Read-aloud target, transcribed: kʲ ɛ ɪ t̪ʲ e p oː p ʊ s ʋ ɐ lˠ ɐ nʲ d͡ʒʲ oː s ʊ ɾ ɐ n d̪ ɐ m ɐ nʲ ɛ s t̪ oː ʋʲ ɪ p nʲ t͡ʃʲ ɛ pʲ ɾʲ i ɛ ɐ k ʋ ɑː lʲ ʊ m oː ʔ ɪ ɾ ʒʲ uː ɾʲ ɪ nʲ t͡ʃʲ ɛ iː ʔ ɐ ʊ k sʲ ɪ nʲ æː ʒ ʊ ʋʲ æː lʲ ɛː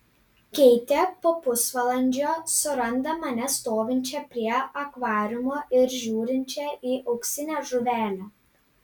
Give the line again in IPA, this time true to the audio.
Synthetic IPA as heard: kʲ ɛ ɪ t̪ʲ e p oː p ʊ s ʋ ɐ lˠ ɐ nʲ d͡ʒʲ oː s ʊ ɾ ɐ n d̪ ɐ m ɐ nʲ ɛ s t̪ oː ʋʲ ɪ nʲ t͡ʃʲ ɛ pʲ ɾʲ i ɛ ɐ k ʋ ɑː ɾʲ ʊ m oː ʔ ɪ ɾ ʒʲ uː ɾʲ ɪ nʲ t͡ʃʲ ɛ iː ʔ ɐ ʊ k sʲ ɪ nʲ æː ʒ ʊ ʋʲ æː lʲ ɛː

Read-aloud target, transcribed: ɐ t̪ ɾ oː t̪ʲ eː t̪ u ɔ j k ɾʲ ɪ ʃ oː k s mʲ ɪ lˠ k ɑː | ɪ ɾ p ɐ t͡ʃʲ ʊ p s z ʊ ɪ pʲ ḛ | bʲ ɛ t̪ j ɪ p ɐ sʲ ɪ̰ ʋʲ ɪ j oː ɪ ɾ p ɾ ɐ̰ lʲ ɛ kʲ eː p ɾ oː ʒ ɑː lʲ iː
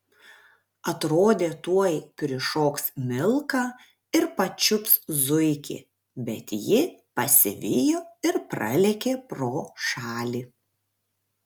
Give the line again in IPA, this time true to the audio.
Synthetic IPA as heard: ɐ t̪ ɾ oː d̪ʲ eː t̪ u ɔ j k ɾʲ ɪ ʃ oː k s mʲ ɪ lˠ k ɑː | ɪ ɾ p ɐ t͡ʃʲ ʊ p s z ʊ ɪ kʲ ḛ | bʲ ɛ t̪ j ɪ p ɐ sʲ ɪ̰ ʋʲ ɪ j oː ɪ ɾ p ɾ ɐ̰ lʲ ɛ kʲ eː p ɾ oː ʃ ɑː lʲ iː

